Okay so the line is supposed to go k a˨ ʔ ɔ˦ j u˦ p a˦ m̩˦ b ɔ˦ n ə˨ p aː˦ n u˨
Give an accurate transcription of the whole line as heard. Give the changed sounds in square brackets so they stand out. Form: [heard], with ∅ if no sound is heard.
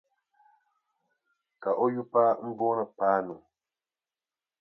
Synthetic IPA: k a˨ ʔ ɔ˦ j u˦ p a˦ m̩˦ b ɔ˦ n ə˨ p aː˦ n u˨